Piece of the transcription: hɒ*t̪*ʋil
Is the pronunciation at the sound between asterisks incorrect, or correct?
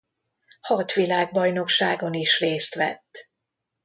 correct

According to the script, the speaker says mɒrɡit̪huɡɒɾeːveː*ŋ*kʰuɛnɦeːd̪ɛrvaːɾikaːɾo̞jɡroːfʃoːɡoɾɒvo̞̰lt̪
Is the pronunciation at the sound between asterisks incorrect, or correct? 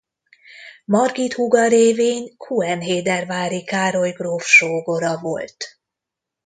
incorrect: ɲ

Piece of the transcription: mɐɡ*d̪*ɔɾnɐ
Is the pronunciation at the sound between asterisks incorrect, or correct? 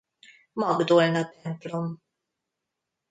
correct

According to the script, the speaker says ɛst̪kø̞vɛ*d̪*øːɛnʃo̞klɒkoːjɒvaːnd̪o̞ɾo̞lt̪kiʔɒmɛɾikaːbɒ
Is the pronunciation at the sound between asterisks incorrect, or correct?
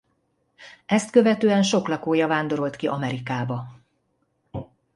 incorrect: t̪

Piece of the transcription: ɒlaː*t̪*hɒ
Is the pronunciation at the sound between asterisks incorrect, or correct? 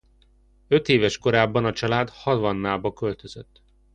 incorrect: d̪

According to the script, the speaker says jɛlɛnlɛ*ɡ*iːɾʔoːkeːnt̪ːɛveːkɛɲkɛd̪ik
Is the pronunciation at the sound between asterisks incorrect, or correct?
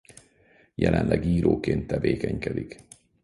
correct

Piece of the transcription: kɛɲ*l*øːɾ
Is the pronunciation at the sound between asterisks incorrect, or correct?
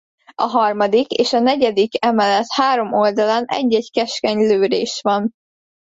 correct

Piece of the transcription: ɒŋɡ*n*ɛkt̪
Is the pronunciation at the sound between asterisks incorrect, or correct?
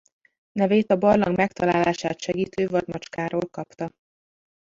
incorrect: m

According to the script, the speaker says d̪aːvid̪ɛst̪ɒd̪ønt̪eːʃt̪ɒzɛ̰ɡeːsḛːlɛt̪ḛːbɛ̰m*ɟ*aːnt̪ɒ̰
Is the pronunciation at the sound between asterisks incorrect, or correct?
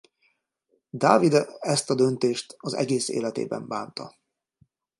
incorrect: b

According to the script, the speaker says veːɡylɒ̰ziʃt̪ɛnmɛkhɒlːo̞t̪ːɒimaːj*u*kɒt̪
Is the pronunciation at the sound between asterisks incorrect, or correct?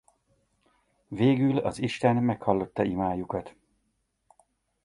correct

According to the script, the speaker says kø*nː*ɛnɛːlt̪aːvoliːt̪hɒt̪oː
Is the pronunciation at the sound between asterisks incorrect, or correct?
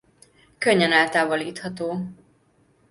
incorrect: ɲː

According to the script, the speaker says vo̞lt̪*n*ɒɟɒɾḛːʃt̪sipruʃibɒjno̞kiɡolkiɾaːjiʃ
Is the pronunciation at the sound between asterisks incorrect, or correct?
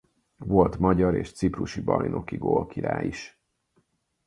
incorrect: m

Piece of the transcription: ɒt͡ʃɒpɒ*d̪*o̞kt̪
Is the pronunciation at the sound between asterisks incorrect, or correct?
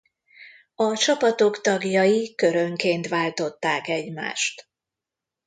incorrect: t̪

